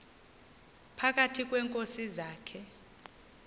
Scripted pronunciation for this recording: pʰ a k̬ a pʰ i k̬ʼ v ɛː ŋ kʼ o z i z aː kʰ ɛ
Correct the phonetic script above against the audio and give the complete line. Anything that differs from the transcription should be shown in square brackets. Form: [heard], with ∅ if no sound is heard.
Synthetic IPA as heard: pʰ a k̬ a [tʰ] i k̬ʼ [w] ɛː ŋ kʼ o [s] i z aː kʰ ɛ